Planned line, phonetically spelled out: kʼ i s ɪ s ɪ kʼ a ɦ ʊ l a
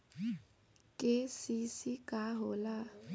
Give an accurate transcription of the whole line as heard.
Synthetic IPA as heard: kʼ ɪ s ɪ s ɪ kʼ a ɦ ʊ l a